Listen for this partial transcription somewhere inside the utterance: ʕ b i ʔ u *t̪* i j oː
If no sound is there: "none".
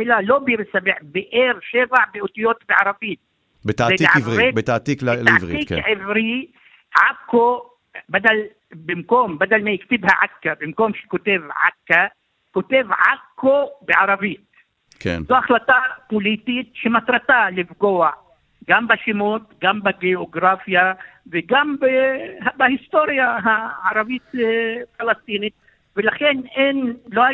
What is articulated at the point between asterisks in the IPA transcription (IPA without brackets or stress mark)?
t̪